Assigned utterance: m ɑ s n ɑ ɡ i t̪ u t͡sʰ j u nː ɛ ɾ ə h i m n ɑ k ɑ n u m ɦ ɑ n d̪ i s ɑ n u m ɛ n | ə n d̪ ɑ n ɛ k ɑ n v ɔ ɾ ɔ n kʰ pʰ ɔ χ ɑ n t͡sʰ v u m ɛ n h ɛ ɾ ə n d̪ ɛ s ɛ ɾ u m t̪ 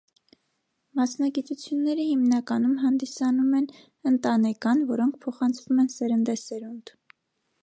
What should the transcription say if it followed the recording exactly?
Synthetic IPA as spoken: m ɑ s n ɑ ɡ i t̪ u t͡sʰ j u nː ɛ ɾ ə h i m n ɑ k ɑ n u m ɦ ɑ n d̪ i s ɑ n u m ɛ n | ə n t̪ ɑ n ɛ k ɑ n v ɔ ɾ ɔ ŋ kʰ pʰ ɔ χ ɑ n t͡sʰ v u m ɛ n s ɛ ɾ ə n d̪ ɛ s ɛ ɾ u n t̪

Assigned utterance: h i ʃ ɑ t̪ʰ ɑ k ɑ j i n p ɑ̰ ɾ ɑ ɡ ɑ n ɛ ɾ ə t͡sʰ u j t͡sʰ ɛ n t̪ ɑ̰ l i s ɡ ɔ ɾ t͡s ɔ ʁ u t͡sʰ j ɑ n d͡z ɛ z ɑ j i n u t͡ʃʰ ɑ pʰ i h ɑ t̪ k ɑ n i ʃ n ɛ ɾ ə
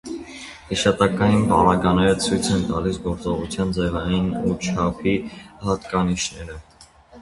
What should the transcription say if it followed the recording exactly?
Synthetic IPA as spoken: h i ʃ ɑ t̪ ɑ k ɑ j i n p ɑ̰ ɾ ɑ ɡ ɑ n ɛ ɾ ə t͡sʰ u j t͡sʰ ɛ n t̪ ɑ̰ l i s ɡ ɔ ɾ t͡s ɔ ʁ u t͡sʰ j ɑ n d͡z ɛ v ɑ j i n u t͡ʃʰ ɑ pʰ i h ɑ t̪ k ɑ n i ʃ n ɛ ɾ ə

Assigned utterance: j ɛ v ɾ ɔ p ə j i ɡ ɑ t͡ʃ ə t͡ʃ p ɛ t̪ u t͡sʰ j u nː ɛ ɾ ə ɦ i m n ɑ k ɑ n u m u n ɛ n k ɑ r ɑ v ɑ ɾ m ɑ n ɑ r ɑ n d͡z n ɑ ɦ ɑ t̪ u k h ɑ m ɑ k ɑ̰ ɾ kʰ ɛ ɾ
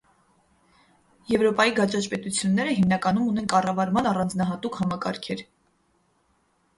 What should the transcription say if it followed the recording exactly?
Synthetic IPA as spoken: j ɛ v ɾ ɔ p ɑ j i ɡ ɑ t͡ʃ ɑ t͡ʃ p ɛ t̪ u t͡sʰ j u nː ɛ ɾ ə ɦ i m n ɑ k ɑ n u m u n ɛ n k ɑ r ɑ v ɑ ɾ m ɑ n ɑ r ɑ n d͡z n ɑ ɦ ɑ t̪ u k h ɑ m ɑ k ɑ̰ ɾ kʰ ɛ ɾ

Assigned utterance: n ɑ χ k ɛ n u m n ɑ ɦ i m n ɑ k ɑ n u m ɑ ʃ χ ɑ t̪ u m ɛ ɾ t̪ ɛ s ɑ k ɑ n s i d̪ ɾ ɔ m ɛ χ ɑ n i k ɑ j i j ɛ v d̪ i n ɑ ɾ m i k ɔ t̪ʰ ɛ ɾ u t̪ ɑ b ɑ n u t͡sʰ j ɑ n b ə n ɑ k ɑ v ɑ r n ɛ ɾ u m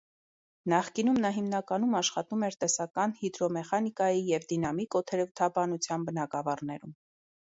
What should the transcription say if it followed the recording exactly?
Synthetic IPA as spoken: n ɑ χ k i n u m n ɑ ɦ i m n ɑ k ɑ n u m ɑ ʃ χ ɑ t̪ u m ɛ ɾ t̪ ɛ s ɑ k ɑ n h i d̪ ɾ ɔ m ɛ χ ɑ n i k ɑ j i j ɛ v d̪ i n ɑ m i k ɔ t̪ʰ ɛ ɾ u t̪ʰ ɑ b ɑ n u t͡sʰ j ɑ n b ə n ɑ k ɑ v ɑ r n ɛ ɾ u m

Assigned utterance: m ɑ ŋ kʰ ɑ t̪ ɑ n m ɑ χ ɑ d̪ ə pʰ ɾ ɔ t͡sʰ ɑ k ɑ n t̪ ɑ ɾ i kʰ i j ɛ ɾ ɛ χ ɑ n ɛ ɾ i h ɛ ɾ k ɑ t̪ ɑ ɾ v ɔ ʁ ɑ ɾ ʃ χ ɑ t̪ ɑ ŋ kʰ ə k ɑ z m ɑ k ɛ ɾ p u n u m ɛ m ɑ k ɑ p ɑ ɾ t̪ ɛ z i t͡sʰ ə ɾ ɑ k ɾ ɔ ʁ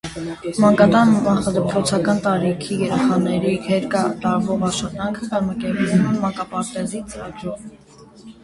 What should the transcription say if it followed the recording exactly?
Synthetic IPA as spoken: m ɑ ŋ k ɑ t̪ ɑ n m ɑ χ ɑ d̪ ə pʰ ɾ ɔ t͡sʰ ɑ k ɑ n t̪ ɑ ɾ i kʰ i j ɛ ɾ ɛ χ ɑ n ɛ ɾ i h ɛ ɾ k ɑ t̪ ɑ ɾ v ɔ ʁ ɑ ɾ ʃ χ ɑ t̪ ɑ ŋ kʰ ə k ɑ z m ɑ k ɛ ɾ p u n u m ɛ m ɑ k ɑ p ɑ ɾ t̪ ɛ z i t͡s ə ɾ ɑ ɡ ɾ ɔ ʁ

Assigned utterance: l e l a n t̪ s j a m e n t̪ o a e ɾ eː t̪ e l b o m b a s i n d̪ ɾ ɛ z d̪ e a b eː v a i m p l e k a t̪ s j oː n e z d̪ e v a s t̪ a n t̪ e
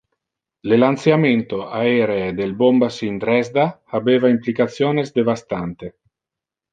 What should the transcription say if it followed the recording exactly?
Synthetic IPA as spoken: l e l a n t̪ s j a m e n t̪ o a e ɾ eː d̪ e l b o m b a s i n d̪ ɾ ɛ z d̪ a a b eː v a i m p l i k a t̪ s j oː n e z d̪ e v a s t̪ a n t̪ e

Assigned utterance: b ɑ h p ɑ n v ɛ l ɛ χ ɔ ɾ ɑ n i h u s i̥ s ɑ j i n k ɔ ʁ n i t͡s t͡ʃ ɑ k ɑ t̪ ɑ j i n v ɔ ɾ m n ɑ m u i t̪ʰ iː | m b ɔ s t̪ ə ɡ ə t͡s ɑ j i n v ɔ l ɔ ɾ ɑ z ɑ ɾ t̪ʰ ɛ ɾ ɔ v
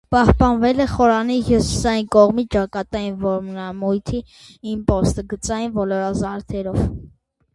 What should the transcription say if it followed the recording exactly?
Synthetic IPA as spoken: p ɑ h p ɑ n v ɛ l ɛ χ ɔ ɾ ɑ n i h u s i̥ s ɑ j i n k ɔ ʁ m i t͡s t͡ʃ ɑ k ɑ t̪ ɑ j i n v ɔ ɾ m n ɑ m u j t̪ʰ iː | m p ɔ s t̪ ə ɡ ə t͡s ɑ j i n v ɔ l ɔ ɾ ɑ z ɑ ɾ t̪ʰ ɛ ɾ ɔ v

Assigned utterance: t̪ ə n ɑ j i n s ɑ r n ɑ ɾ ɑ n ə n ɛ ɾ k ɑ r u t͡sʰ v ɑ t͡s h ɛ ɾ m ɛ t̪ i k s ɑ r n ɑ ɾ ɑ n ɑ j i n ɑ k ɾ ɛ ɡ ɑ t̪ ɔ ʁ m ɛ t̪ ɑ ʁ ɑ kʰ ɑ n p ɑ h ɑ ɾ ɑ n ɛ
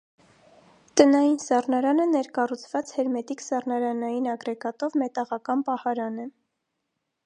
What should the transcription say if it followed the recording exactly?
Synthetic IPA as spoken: t̪ ə n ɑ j i n s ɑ r n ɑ ɾ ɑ n ə n ɛ ɾ k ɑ r u t͡sʰ v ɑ t͡s h ɛ ɾ m ɛ t̪ i k s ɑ r n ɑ ɾ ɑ n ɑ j i n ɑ ɡ ɾ ɛ ɡ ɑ t̪ ɔ v m ɛ t̪ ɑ ʁ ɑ k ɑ n p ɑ h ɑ ɾ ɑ n ɛ

